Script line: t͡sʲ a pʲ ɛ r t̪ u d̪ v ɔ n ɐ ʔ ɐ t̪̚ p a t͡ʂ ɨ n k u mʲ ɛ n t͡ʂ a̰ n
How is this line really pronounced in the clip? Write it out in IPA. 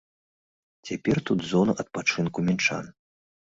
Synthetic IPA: t͡sʲ a pʲ ɛ r t̪ u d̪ z ɔ n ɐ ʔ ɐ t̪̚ p a t͡ʂ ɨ n k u mʲ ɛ n t͡ʂ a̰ n